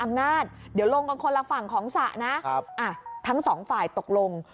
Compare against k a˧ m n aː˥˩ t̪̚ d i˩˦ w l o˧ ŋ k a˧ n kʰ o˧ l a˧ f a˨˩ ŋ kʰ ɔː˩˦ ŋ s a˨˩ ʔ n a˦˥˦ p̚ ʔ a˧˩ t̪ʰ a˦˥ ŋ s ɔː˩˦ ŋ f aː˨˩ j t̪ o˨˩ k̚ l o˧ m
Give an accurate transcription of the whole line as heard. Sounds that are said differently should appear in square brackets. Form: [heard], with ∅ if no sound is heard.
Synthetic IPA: [ʔ] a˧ m n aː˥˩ t̪̚ d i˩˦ w l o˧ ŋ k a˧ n kʰ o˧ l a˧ f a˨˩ ŋ kʰ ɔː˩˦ ŋ s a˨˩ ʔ n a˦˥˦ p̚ ʔ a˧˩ t̪ʰ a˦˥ ŋ s ɔː˩˦ ŋ f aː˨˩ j t̪ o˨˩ k̚ l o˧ [ŋ]